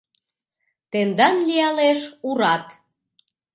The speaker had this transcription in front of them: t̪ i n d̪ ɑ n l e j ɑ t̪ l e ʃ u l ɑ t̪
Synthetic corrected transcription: t̪ e n d̪ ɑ n l i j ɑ l e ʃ u ɾ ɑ t̪